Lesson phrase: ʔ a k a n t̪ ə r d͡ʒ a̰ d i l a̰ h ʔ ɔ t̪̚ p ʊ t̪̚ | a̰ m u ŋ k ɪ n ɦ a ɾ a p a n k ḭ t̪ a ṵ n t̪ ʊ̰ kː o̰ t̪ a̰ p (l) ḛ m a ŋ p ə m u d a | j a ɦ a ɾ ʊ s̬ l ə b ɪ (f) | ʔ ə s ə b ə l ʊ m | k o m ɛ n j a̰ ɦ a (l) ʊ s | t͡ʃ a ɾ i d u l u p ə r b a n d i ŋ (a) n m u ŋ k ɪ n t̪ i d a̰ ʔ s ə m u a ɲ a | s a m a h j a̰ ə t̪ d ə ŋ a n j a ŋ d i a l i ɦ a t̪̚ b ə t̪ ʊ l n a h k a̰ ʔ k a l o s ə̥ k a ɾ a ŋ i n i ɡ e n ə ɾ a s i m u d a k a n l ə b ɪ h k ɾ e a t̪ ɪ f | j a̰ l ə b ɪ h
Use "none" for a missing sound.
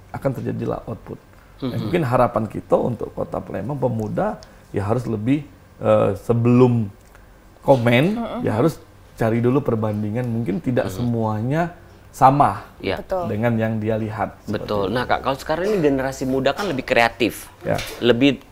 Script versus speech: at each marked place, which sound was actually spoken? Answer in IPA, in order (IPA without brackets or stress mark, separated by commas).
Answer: l, h, ɾ, a